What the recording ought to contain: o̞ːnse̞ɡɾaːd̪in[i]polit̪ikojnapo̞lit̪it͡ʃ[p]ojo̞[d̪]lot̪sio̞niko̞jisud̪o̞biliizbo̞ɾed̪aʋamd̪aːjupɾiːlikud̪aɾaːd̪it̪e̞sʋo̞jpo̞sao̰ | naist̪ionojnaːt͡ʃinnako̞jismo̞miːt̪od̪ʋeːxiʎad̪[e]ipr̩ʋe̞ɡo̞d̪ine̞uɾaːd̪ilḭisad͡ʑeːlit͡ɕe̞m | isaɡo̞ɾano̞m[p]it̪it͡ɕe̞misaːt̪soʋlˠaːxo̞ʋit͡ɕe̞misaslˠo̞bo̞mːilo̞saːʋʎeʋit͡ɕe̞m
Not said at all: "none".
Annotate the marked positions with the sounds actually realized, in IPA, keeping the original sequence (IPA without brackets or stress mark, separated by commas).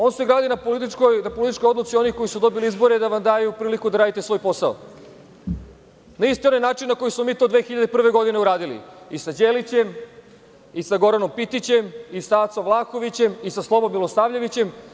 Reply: a, k, d̪, e, p